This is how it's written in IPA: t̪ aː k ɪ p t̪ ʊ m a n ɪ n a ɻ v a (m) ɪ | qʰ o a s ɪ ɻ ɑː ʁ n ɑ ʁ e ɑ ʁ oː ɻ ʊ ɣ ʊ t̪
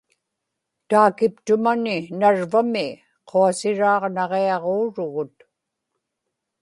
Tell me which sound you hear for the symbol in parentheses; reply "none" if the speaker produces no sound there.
m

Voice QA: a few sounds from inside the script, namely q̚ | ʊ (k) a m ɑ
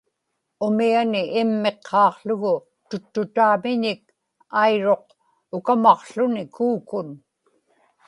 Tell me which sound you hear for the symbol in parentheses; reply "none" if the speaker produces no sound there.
k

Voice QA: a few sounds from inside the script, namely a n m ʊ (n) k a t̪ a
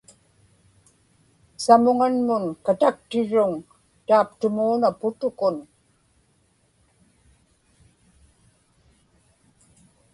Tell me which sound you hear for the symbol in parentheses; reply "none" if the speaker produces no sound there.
n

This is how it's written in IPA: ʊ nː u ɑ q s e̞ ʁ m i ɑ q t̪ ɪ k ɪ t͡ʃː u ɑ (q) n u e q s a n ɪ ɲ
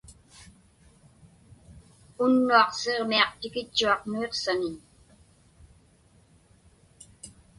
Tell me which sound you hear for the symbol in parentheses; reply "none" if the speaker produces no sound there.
q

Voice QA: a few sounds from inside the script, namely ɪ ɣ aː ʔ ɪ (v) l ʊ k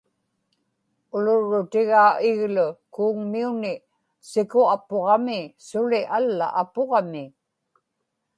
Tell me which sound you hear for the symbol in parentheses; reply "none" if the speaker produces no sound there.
ɣ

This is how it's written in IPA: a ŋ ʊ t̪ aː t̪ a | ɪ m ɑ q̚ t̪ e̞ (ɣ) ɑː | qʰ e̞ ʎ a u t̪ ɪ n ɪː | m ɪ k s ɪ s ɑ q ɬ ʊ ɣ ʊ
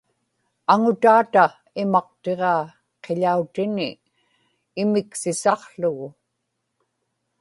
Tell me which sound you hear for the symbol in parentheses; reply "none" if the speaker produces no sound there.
ʁ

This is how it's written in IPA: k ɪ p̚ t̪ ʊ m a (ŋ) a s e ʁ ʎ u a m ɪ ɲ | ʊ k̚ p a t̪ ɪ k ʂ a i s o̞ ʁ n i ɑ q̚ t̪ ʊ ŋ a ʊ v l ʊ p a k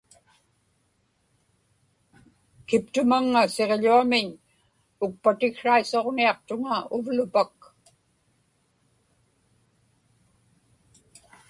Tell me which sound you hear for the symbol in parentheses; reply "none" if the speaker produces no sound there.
ŋː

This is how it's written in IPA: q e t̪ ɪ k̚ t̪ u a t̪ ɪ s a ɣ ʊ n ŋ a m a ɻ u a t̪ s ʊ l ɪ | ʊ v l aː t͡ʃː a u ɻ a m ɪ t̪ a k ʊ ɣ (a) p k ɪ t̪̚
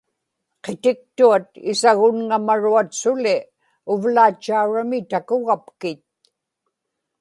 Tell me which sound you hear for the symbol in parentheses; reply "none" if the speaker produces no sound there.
a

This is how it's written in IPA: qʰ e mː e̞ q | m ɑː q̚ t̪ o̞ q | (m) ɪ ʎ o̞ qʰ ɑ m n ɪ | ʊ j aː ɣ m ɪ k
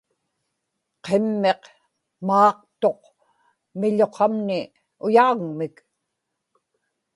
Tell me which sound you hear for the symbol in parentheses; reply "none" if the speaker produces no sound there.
m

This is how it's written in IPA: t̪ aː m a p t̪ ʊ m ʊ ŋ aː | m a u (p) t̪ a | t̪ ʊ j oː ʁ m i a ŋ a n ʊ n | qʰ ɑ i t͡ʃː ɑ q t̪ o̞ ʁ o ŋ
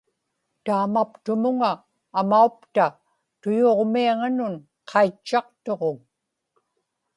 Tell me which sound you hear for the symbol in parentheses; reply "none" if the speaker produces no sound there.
p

